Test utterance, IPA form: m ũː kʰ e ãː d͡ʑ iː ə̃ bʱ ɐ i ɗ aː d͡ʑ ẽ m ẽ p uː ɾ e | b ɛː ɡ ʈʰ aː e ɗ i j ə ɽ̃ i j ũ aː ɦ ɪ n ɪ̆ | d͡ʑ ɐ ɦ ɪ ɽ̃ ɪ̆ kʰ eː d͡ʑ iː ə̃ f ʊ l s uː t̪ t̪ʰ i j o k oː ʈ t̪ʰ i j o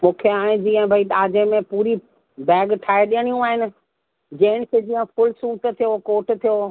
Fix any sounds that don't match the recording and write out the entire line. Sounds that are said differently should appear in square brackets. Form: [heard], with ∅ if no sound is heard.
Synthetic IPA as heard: m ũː kʰ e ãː d͡ʑ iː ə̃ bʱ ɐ i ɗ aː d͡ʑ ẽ m ẽ p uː ɾ [i] | b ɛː ɡ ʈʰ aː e ɗ i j ə ɽ̃ i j ũ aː ɦ ɪ n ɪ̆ | d͡ʑ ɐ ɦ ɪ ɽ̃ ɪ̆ kʰ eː d͡ʑ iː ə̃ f ʊ l s uː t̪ t̪ʰ i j o k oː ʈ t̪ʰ i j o